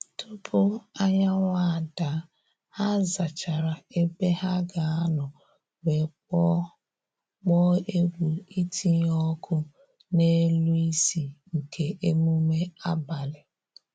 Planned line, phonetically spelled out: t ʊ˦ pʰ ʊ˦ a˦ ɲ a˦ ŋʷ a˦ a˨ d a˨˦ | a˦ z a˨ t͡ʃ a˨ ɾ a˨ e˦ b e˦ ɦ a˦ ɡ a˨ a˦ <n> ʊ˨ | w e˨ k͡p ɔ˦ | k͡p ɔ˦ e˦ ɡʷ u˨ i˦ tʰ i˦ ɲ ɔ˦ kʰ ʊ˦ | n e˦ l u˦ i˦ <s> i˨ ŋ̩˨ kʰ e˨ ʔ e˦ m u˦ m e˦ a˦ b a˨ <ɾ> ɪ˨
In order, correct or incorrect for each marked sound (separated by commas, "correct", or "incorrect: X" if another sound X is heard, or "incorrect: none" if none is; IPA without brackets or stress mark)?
correct, correct, incorrect: l